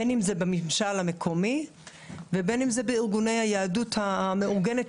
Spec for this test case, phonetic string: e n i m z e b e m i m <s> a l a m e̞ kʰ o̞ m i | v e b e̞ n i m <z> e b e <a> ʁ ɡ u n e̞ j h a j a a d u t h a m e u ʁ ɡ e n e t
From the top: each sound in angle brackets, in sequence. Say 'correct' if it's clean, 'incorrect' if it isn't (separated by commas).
incorrect, correct, incorrect